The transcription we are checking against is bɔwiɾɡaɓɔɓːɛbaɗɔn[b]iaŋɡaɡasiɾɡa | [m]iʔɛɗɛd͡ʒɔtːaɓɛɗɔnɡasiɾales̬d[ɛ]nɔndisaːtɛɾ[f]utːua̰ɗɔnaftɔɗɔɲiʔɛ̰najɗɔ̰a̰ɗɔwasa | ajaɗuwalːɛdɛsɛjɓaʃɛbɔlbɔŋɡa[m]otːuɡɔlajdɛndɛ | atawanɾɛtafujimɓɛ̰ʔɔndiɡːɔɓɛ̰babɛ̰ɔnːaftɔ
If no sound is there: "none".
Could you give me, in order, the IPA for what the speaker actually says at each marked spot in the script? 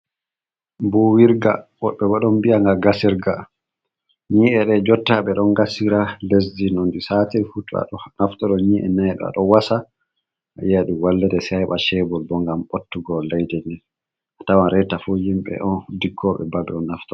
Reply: b, ɲ, i, f, m

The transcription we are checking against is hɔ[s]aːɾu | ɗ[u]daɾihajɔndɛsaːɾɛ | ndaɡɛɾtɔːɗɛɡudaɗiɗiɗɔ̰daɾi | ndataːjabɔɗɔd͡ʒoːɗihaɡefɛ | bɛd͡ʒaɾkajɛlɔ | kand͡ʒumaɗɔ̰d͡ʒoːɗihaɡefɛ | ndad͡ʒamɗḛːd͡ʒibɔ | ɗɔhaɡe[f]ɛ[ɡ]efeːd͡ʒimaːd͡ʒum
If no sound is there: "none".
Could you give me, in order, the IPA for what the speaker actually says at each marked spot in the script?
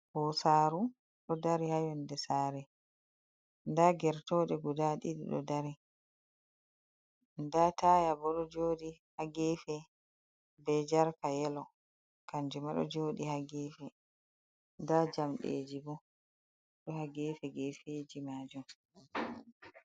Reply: s, ɔ, f, ɡ

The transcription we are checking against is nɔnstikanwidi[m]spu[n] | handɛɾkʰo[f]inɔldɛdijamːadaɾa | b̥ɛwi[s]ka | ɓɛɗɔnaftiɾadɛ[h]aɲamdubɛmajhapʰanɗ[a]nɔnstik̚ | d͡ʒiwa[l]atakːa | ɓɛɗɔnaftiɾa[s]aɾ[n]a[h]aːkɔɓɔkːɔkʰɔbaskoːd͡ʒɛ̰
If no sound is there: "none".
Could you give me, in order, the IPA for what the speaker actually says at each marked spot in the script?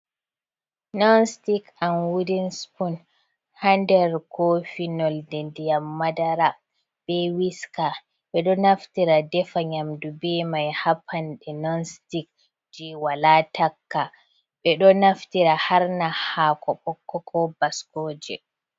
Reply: n, n, f, s, f, ɛ, l, h, n, h

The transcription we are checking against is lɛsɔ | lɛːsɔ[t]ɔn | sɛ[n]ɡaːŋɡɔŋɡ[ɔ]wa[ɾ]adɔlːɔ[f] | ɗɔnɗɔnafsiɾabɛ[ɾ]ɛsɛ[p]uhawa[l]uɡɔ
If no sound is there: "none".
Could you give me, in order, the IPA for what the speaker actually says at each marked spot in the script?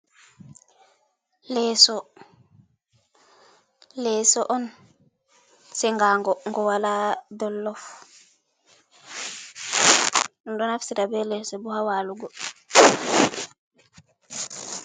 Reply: ʔ, ŋ, ɔ, l, f, l, b, l

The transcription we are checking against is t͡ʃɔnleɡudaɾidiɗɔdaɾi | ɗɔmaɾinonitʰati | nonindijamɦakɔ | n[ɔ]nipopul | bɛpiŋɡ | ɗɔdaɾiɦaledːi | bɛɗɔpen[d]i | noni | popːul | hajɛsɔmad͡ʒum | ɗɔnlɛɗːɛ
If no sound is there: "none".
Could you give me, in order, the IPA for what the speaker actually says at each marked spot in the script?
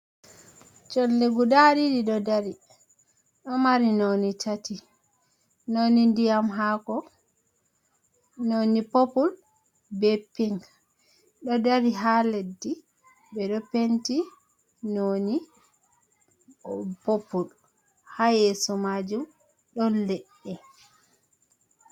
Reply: o, t

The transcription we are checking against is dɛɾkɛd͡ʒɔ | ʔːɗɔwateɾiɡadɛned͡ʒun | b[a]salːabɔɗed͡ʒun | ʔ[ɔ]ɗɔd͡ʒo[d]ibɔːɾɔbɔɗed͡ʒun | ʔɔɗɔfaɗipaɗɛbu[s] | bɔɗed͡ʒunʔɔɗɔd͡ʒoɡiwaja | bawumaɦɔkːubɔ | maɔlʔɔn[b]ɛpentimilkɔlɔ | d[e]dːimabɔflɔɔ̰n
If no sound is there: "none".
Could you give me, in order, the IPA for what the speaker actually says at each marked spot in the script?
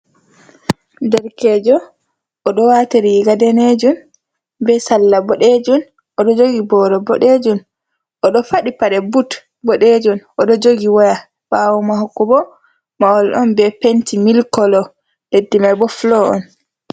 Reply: ɛ, ɔ, ɡ, t, b, e

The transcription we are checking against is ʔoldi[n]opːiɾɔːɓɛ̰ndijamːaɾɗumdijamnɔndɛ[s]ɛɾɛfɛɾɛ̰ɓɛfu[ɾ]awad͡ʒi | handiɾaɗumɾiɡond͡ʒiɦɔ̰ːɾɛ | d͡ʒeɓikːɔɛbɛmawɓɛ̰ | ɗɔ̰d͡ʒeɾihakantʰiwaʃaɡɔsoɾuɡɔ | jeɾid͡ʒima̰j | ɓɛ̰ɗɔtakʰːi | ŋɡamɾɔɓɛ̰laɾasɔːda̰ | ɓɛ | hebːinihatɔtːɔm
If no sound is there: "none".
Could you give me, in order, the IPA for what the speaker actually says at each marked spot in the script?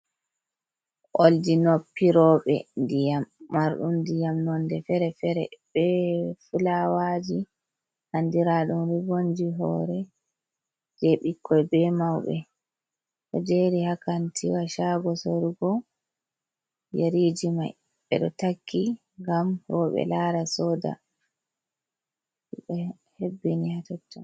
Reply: n, f, l

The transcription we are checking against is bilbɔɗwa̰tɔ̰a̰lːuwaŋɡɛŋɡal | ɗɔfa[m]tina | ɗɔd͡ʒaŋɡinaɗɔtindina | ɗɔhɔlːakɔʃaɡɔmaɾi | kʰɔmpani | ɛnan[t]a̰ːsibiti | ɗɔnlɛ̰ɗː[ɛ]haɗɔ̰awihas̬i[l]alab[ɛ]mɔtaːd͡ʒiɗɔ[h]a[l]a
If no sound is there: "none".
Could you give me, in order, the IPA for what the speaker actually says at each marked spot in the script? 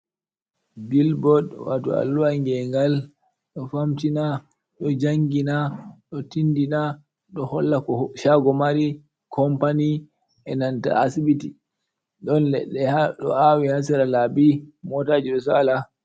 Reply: m, t, ɛ, ɾ, i, s, l

